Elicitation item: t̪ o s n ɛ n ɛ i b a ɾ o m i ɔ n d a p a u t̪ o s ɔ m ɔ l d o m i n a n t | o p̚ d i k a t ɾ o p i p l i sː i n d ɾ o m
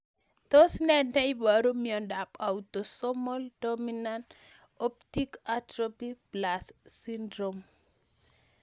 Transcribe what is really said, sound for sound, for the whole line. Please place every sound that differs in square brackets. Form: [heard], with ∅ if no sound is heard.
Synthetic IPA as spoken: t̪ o s n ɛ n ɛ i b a ɾ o m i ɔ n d a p a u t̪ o s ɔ m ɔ l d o m i n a n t | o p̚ [t] i k a t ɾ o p i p l [a] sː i n d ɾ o m